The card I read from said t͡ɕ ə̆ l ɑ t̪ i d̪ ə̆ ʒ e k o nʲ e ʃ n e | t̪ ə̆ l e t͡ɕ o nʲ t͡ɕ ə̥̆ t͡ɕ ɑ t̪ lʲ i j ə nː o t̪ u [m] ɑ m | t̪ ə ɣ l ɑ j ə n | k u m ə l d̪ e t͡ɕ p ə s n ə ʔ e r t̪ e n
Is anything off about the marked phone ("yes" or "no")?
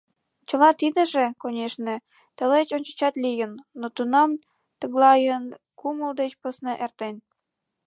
yes